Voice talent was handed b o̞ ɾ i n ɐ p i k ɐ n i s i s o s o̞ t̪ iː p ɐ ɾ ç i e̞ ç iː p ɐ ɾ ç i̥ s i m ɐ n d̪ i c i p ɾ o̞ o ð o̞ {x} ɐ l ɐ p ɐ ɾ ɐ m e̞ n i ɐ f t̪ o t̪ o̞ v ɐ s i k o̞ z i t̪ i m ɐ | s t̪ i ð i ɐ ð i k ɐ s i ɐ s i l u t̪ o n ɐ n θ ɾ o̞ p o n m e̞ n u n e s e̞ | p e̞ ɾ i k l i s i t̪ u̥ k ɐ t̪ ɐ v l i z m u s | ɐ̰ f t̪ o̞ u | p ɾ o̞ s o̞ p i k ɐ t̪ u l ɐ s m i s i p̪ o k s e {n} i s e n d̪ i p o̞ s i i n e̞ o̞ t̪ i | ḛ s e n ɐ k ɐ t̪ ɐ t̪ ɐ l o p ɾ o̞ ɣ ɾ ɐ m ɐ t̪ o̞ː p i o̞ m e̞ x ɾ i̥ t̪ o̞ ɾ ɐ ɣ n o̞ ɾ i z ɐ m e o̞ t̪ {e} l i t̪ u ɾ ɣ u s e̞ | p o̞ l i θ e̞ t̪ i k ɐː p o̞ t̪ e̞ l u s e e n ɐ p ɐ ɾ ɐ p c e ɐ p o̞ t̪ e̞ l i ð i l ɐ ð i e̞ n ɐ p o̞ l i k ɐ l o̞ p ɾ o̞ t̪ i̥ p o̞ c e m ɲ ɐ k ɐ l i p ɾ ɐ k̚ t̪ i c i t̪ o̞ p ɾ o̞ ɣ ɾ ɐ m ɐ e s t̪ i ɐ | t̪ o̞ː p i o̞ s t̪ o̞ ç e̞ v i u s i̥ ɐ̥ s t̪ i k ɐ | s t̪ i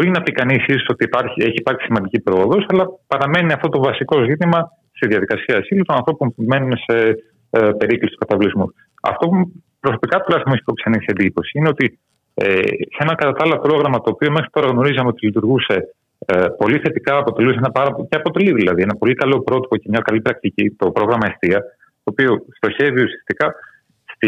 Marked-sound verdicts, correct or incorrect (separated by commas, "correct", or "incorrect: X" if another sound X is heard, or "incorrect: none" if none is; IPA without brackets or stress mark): incorrect: s, correct, incorrect: i